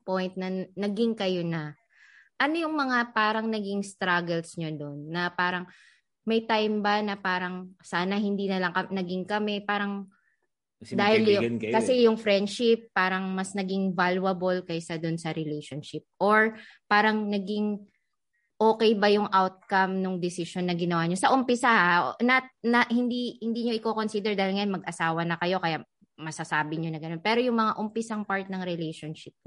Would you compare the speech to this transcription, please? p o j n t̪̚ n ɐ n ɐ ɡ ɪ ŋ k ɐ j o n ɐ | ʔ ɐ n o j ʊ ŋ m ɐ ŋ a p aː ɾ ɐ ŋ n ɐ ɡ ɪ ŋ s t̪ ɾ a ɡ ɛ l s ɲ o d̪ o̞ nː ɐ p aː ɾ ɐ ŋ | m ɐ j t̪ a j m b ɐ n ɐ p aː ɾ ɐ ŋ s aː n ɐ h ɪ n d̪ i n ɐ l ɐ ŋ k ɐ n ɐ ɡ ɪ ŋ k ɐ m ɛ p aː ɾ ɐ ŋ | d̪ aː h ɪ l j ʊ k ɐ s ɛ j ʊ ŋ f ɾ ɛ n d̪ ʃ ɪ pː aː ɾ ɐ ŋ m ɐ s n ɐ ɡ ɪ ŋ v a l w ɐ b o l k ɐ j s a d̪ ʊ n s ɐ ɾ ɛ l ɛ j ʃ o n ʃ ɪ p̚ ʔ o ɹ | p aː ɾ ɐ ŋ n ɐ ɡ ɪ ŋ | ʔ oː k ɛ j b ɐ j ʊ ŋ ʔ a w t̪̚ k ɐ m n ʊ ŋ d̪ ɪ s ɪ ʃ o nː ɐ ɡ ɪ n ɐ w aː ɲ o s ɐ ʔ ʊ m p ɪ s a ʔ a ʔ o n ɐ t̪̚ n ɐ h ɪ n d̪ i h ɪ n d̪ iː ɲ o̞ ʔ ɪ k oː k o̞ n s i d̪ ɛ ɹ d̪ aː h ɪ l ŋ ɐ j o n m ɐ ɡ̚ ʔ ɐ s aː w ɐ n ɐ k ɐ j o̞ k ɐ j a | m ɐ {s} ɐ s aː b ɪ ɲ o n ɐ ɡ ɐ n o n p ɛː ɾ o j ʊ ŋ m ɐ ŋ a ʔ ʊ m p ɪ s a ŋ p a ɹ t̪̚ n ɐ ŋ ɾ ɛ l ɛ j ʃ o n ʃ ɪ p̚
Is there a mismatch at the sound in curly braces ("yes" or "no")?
no